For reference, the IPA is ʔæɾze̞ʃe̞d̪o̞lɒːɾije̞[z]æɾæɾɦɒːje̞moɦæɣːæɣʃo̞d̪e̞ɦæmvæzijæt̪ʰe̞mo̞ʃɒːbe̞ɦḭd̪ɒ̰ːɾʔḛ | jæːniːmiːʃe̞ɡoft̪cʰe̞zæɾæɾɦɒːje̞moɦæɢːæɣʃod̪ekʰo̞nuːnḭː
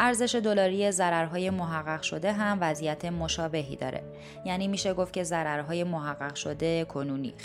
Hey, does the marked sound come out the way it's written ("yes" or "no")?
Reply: yes